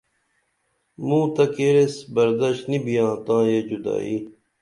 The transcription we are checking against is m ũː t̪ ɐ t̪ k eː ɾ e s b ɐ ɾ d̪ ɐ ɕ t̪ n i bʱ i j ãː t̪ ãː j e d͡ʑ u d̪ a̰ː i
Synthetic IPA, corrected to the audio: m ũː t̪ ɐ k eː ɾ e s b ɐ ɾ d̪ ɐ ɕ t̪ n i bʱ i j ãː t̪ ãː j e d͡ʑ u d̪ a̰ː i